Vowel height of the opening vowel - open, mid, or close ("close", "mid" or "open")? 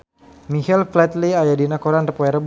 close